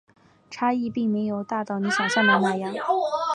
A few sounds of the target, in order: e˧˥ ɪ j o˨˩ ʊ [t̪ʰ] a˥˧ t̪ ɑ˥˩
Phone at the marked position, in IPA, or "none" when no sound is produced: t̪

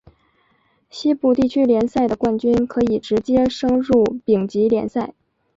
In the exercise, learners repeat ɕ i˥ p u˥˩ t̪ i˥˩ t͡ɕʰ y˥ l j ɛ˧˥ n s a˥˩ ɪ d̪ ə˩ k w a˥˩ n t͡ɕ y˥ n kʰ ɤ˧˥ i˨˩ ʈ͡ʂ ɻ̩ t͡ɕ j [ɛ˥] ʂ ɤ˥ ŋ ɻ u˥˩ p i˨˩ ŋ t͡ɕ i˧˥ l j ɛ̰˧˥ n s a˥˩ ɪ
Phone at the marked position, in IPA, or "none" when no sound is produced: ɛ˥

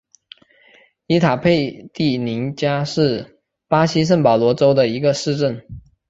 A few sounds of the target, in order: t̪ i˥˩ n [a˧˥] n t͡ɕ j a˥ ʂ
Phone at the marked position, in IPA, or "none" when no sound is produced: i˧˥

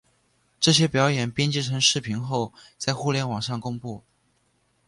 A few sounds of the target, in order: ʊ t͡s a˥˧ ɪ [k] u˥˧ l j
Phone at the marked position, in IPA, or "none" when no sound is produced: x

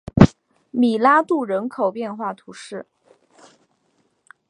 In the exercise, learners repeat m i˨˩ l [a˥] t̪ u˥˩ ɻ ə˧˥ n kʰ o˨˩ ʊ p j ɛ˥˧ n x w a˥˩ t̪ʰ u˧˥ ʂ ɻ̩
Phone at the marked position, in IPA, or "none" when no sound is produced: a˥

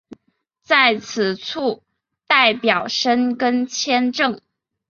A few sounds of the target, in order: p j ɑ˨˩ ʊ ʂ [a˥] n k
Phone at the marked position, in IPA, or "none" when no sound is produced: ə˥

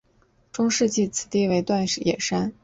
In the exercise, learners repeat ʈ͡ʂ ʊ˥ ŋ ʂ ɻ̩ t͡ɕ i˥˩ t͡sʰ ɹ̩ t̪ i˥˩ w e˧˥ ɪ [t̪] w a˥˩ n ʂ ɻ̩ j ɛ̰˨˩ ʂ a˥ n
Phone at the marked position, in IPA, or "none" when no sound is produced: t̪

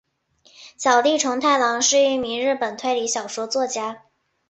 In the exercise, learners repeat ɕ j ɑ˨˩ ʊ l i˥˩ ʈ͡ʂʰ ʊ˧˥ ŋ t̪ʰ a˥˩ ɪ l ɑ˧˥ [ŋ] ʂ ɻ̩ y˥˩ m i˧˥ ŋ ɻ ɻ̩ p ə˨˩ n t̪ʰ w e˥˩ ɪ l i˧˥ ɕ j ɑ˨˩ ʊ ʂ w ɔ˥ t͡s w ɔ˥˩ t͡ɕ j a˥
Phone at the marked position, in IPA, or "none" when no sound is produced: ŋ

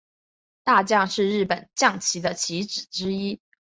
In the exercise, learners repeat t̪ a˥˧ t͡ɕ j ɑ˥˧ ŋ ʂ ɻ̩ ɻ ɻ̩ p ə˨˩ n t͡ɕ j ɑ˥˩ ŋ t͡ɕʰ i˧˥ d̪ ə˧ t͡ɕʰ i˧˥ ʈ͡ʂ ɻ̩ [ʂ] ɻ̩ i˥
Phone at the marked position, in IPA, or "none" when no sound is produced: ʈ͡ʂ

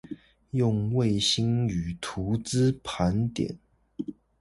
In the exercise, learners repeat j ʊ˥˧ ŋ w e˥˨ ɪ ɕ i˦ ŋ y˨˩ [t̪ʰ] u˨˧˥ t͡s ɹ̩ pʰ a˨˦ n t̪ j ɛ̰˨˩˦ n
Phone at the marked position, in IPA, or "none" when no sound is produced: t̪ʰ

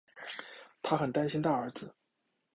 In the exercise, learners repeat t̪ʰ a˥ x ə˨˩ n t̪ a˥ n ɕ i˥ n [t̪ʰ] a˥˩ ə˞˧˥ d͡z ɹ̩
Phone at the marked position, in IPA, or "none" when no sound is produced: t̪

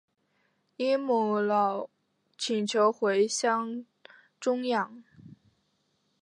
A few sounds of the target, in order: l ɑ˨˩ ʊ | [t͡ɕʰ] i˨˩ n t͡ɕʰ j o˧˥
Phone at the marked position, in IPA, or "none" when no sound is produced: t͡ɕʰ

